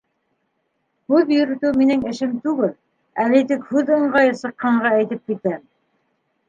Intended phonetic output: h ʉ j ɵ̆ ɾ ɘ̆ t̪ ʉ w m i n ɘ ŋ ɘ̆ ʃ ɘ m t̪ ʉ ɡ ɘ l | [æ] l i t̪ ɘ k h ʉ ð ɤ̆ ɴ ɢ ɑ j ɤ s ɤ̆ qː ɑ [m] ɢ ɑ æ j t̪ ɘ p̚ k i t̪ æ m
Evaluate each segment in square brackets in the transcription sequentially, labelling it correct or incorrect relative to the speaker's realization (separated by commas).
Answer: correct, incorrect